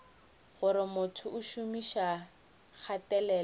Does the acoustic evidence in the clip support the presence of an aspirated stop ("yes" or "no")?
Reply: yes